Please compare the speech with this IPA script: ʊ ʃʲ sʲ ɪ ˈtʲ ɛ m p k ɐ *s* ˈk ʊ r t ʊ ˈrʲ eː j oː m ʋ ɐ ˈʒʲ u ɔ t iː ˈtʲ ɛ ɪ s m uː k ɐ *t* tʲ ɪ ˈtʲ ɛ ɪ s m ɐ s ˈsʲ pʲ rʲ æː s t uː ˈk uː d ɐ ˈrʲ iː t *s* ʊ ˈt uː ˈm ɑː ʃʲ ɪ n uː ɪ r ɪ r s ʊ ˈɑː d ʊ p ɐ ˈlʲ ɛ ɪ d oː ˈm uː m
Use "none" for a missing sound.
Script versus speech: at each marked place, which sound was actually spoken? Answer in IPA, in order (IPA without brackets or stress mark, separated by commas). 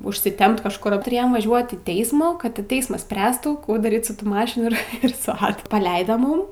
ʃ, t, s